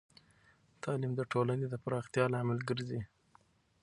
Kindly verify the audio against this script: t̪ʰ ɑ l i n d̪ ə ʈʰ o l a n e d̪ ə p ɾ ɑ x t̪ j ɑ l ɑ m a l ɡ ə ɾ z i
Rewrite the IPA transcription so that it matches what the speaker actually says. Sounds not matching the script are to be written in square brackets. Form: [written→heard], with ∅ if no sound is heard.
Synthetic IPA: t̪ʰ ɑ l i [n→m] d̪ ə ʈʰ o l a n e d̪ ə p ɾ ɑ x t̪ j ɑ l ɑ m a l ɡ ə ɾ z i